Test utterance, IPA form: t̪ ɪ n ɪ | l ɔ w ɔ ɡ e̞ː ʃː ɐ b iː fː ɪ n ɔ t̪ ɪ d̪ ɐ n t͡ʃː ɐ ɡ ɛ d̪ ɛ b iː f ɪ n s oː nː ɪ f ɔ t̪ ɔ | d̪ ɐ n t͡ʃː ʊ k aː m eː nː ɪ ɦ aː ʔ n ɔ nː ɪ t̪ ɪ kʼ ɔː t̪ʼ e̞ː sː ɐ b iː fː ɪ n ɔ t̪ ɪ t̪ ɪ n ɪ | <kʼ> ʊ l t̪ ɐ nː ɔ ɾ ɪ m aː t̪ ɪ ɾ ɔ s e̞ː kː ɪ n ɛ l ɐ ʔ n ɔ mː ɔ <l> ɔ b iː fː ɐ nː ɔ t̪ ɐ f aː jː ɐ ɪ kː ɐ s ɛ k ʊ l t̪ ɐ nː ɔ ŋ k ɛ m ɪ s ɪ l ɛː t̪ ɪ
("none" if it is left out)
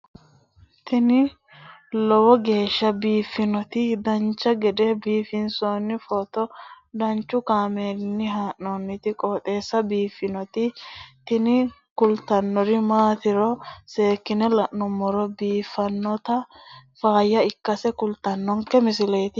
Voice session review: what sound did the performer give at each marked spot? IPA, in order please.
k, ɾ

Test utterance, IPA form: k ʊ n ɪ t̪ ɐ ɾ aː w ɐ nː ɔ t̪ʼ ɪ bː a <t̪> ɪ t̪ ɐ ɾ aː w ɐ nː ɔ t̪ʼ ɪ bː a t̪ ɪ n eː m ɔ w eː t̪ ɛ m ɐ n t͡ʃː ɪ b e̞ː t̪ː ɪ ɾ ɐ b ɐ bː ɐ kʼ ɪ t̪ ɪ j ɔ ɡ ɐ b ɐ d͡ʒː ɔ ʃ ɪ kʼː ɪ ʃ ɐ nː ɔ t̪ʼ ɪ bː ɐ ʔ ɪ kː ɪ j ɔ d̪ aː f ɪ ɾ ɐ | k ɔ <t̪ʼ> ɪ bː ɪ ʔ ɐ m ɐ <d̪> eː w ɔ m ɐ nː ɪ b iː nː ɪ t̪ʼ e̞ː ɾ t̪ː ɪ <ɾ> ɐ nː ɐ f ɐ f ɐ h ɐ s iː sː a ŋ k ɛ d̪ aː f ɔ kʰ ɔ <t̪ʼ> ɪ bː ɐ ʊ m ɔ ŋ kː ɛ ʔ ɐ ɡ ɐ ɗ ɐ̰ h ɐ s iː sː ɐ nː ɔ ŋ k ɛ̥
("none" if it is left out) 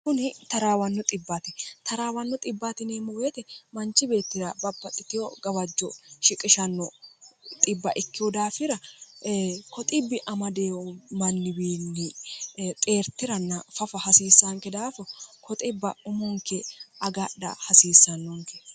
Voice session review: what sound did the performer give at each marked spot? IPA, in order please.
t̪, t̪ʼ, d̪, ɾ, t̪ʼ

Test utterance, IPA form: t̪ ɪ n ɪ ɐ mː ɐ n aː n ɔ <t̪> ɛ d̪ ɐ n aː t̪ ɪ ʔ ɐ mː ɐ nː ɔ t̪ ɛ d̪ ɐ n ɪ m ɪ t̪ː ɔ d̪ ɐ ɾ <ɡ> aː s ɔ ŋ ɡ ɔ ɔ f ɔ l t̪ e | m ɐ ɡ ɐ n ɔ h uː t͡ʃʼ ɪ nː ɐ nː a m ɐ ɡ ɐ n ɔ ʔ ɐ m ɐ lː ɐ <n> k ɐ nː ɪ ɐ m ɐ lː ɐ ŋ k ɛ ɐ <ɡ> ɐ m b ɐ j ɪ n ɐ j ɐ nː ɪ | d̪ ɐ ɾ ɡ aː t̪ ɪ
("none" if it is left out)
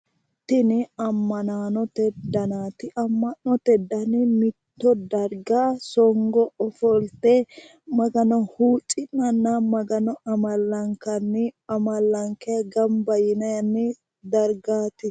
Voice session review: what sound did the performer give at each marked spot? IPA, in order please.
t̪, ɡ, ŋ, ɡ

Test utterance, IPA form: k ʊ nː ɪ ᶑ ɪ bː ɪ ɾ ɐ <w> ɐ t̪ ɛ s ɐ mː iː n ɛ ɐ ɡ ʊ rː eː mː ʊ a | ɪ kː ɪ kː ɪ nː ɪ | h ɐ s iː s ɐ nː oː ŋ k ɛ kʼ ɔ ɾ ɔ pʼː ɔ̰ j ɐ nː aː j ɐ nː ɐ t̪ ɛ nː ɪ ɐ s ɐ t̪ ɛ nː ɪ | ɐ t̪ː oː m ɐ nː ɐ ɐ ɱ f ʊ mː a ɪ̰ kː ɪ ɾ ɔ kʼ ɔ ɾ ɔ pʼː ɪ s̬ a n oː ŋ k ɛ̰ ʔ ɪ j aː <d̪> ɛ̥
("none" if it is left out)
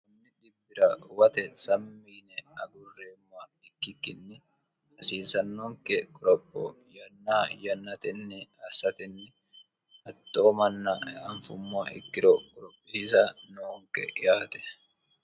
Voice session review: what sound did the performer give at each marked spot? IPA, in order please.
w, t̪

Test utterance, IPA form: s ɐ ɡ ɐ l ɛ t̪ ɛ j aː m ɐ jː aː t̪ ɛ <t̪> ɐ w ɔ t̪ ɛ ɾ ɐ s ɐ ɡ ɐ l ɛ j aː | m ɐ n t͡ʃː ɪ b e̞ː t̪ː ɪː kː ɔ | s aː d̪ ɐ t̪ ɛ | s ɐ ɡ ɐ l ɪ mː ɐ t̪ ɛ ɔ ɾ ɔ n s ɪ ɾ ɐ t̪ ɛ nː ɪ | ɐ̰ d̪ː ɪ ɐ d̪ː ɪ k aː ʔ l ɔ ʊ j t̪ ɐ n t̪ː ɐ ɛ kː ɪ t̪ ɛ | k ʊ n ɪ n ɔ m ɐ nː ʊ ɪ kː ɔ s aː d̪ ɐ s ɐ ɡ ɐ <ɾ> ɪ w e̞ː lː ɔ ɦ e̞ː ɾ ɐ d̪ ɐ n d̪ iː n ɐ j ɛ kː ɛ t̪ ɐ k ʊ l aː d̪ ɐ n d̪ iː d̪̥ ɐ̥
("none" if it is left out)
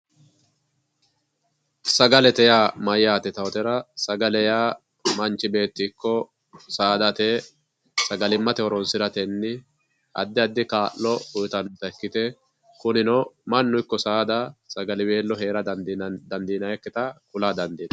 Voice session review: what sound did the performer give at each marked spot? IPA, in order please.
t̪, l

